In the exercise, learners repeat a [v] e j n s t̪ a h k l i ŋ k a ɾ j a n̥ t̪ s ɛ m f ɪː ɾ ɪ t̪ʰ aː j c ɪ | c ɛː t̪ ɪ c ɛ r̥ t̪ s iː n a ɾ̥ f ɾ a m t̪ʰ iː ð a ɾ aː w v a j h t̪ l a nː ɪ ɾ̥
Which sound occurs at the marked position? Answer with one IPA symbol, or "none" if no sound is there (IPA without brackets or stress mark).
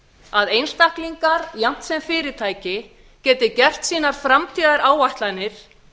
ð